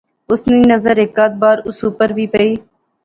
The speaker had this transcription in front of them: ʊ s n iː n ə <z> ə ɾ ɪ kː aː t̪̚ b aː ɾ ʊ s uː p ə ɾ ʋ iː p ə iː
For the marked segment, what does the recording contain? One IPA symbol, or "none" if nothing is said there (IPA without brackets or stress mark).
z